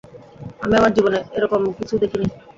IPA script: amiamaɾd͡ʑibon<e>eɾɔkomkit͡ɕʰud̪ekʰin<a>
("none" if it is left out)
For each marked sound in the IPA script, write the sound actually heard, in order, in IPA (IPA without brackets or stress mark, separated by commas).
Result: e, i